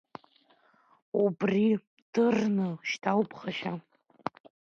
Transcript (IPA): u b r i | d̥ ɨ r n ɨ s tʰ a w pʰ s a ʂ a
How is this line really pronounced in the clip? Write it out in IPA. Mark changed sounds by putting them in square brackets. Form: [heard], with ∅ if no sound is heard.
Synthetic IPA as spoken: u b r i | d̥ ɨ r n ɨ [ʃ] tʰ a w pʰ [χ] a [ʃ] a